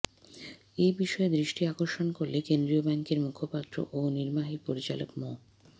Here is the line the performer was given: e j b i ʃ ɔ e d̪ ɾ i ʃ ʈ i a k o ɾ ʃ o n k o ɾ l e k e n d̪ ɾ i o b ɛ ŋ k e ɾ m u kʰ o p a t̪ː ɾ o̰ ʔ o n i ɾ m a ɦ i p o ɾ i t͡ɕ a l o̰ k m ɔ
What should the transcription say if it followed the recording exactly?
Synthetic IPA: e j b i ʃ ɔ e d̪ ɾ i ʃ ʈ i a k o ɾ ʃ o n k o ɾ l e k e n d̪ ɾ i o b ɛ ŋ k e ɾ m u kʰ o p a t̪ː ɾ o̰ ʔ o n i ɾ m a ɦ i p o ɾ i t͡ɕ a l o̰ k m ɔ